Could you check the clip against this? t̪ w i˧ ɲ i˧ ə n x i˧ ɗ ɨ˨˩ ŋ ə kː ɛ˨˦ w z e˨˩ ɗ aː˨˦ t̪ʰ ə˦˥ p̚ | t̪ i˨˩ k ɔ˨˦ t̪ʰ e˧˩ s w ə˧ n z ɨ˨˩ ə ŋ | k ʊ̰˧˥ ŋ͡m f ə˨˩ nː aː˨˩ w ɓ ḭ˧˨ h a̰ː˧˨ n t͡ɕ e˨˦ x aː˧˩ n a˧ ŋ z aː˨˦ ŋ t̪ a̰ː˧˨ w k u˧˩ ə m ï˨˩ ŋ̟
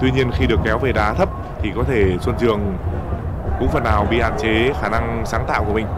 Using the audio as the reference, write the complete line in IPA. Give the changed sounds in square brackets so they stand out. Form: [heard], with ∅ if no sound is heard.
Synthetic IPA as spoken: t̪ w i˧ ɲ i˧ ə n x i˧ ɗ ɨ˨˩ [∅] ə kː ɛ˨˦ w [v] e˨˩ ɗ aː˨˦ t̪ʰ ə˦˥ p̚ | [t̪ʰ] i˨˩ k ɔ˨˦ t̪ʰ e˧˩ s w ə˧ n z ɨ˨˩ ə ŋ | k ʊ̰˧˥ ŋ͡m f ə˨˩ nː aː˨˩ w ɓ ḭ˧˨ h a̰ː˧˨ n t͡ɕ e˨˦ x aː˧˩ n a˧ ŋ [s] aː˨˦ ŋ t̪ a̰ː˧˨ w k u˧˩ ə m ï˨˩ ŋ̟